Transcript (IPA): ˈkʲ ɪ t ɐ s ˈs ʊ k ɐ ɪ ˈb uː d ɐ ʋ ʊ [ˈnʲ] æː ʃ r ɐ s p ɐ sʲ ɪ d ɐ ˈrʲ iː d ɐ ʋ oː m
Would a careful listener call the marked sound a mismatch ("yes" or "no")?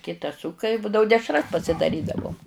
yes